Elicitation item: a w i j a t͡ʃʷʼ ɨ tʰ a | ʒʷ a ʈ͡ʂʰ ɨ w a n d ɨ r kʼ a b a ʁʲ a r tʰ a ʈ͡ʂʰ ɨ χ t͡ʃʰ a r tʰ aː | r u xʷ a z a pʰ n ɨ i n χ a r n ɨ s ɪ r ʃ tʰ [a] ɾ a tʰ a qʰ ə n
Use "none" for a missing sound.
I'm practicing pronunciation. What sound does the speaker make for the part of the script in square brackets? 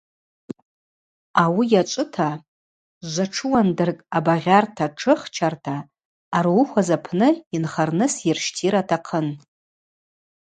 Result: i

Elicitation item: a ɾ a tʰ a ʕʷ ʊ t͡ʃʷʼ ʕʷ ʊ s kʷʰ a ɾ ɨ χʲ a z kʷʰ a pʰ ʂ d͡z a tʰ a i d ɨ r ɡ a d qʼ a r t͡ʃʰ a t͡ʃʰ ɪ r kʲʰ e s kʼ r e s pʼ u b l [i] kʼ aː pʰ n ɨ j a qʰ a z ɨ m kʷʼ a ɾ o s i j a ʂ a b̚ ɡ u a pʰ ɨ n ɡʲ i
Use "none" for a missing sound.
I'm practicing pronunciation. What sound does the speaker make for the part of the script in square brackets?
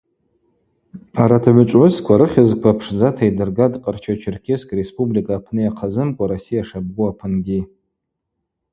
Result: i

